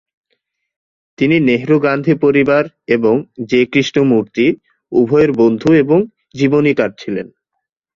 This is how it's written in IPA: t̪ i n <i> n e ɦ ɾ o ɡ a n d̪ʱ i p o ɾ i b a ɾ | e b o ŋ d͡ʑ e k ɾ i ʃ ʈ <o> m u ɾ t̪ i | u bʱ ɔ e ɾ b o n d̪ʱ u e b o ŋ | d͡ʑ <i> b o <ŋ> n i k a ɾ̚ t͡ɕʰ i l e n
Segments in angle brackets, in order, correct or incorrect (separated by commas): correct, correct, correct, incorrect